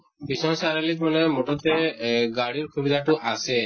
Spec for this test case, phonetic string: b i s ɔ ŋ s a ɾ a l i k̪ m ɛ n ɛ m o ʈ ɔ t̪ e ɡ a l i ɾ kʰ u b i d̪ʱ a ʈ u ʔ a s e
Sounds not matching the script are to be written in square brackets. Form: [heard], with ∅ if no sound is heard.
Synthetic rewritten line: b i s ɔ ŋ s a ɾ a l i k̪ m [a] n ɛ m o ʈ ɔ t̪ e ɡ a [ɽ] i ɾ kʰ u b i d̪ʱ a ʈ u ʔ a s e